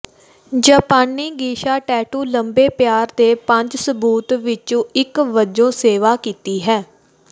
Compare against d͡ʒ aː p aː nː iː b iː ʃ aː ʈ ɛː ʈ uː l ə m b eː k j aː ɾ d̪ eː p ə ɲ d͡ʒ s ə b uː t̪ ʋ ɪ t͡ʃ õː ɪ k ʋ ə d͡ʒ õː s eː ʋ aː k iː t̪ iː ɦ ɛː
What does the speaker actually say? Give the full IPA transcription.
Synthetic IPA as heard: d͡ʒ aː p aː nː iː ɡ iː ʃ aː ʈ ɛː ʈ uː l ə m b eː p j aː ɾ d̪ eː p ə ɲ d͡ʒ s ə b uː t̪ ʋ ɪ t͡ʃ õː ɪ k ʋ ə d͡ʒ õː s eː ʋ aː k iː t̪ iː ɦ ɛː